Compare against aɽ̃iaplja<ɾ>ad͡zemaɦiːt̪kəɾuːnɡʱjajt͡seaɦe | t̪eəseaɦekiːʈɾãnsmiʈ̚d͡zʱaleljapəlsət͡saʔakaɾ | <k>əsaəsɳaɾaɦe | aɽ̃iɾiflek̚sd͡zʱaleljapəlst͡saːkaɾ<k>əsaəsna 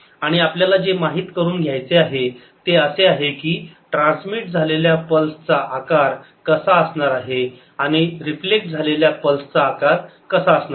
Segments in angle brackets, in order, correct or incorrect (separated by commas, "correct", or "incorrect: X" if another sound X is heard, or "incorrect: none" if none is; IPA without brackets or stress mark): incorrect: l, correct, correct